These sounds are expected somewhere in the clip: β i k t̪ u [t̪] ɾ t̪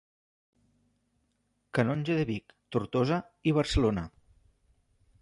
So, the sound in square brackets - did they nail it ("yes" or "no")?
no